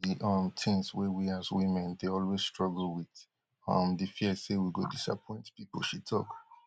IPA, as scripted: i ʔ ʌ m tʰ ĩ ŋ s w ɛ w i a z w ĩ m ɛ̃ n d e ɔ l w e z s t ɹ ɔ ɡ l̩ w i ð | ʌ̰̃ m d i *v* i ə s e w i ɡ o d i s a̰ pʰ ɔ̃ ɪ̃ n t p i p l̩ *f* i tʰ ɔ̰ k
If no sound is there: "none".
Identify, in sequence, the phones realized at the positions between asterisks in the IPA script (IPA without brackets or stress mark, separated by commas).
f, ʃ